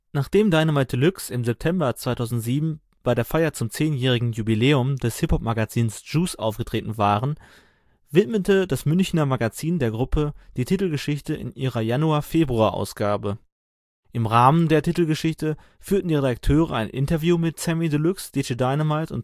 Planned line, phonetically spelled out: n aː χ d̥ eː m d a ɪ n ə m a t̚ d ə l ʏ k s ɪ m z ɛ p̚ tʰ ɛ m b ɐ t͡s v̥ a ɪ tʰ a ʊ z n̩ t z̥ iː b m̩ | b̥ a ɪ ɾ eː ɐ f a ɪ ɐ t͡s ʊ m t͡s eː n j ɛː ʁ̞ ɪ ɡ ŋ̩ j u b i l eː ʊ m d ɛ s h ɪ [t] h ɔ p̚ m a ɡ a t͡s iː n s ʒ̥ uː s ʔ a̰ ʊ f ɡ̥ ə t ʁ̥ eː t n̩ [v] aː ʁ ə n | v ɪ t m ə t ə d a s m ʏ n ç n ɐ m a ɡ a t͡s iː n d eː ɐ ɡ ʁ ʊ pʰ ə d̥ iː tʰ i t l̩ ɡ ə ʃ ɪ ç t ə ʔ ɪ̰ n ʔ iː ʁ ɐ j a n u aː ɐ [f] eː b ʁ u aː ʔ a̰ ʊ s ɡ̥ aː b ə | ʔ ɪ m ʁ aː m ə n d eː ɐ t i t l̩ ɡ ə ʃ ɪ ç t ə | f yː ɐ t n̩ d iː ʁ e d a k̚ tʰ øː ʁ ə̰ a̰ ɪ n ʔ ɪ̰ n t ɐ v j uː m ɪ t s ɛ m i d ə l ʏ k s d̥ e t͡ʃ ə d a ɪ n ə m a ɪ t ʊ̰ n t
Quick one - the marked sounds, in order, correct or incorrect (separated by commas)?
incorrect, correct, correct